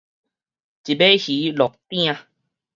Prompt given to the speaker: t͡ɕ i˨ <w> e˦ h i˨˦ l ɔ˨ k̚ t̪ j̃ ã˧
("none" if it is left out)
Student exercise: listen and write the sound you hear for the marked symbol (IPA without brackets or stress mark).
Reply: b